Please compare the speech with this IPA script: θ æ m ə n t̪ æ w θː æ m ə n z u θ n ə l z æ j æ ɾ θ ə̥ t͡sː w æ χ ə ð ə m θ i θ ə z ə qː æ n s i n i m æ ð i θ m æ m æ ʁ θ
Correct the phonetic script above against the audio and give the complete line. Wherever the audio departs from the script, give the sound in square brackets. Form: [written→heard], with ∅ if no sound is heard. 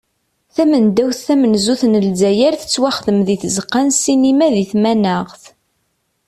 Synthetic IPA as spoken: θ æ m ə n [t̪→d̪] æ w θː æ m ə n z u θ n ə l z æ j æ ɾ θ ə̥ t͡sː w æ χ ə ð ə m [θ→ð] i θ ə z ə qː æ n s i n i m æ ð i θ m æ [m→n] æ ʁ θ